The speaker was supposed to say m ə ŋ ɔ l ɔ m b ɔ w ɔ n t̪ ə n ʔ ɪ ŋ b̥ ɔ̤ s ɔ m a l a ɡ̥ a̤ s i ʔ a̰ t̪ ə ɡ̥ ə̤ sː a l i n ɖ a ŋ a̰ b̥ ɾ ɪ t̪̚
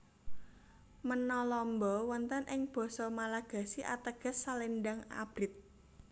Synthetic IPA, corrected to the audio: m ə n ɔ l ɔ m b ɔ w ɔ n t̪ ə n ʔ ɪ ŋ b̥ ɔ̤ s ɔ m a l a ɡ̥ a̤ s i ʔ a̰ t̪ ə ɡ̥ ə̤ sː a l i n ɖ a ŋ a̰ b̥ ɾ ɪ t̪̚